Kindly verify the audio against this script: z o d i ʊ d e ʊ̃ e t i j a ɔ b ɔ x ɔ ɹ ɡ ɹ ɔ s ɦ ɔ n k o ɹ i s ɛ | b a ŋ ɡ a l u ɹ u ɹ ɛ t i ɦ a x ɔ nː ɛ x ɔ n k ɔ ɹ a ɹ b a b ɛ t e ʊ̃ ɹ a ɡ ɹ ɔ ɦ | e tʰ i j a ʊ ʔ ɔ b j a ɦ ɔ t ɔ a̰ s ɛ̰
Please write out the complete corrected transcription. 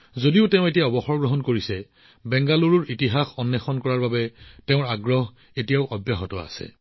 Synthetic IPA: z o d i ʊ t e ʊ̃ e t i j a ɔ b ɔ x ɔ ɹ ɡ ɹ ɔ ɦ ɔ n k o ɹ i s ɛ | b ɛ ŋ ɡ a l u ɹ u ɹ i t i ɦ a x ɔ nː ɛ x ɔ n k ɔ ɹ a ɹ b a b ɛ t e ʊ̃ ɹ a ɡ ɹ ɔ ɦ | e t i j a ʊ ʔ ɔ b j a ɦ ɔ t ɔ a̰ s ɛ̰